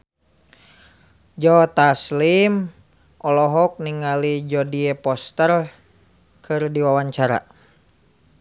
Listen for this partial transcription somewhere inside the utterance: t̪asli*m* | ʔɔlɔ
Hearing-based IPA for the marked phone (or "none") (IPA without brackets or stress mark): m